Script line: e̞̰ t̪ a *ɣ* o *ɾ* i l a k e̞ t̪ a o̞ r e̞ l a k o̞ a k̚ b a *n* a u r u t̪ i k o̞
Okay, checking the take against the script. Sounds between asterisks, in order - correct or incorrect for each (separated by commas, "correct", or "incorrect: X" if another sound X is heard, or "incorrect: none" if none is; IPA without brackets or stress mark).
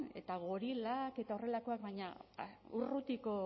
correct, correct, incorrect: ɲ